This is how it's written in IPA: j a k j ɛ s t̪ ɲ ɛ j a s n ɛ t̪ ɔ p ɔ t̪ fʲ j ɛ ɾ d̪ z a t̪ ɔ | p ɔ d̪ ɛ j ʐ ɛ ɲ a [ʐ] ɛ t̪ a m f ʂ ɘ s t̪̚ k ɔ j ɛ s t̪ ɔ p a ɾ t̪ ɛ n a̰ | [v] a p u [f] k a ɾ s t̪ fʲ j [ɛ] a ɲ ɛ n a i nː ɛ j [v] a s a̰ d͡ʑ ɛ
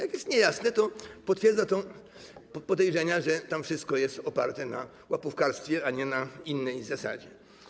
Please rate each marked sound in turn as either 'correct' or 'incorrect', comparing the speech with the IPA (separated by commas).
correct, incorrect, correct, correct, incorrect